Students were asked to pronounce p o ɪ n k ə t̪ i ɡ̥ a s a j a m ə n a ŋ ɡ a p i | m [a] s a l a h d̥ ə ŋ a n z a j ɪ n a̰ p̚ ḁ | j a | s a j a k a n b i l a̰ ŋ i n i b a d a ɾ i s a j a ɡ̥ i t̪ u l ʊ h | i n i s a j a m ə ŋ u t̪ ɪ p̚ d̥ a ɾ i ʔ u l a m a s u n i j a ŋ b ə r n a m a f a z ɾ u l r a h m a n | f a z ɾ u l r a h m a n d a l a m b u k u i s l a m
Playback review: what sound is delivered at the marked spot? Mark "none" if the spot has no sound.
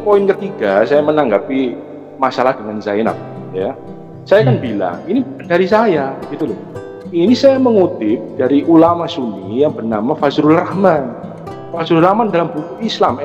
a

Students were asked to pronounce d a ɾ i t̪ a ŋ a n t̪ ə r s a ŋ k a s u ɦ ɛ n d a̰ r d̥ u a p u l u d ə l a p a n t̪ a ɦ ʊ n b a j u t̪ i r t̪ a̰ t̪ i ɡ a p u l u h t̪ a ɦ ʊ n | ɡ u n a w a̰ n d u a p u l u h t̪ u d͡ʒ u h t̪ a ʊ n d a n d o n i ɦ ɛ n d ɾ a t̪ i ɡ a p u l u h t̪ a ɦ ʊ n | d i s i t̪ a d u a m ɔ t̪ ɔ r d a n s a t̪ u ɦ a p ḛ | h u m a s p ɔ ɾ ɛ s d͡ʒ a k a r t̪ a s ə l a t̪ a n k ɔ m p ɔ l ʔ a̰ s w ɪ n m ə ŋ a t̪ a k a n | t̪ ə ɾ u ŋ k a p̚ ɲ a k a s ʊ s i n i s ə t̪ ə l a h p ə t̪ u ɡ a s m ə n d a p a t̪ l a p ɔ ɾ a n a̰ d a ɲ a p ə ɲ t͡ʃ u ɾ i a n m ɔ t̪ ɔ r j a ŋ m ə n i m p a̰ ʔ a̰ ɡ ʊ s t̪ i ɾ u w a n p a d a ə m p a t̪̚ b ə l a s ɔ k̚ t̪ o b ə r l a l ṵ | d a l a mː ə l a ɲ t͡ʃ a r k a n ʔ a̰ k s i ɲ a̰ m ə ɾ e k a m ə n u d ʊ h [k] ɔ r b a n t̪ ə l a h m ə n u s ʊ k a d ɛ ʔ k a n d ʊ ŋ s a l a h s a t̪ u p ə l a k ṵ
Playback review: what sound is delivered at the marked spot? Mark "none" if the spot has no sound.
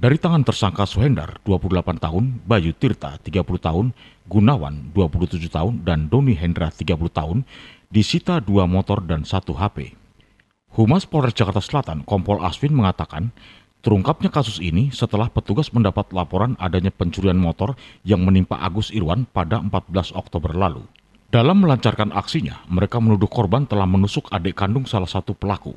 k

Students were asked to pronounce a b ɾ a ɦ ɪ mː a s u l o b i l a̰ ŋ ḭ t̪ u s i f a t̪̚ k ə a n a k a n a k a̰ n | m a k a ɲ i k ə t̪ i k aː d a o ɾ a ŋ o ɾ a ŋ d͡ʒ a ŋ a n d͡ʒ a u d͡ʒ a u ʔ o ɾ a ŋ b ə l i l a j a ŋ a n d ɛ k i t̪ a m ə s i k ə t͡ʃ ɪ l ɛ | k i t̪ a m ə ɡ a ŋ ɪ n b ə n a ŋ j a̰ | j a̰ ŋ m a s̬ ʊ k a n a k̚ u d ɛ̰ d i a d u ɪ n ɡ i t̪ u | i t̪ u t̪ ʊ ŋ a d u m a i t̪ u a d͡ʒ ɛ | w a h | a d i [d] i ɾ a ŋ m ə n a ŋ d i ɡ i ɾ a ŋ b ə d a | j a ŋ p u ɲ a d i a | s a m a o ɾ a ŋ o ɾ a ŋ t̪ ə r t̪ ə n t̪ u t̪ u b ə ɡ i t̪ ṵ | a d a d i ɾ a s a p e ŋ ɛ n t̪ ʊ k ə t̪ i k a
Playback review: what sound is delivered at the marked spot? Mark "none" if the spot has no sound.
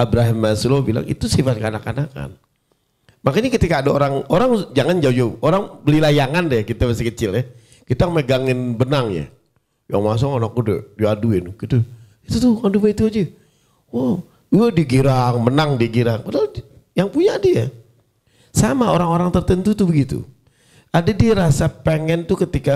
ɡ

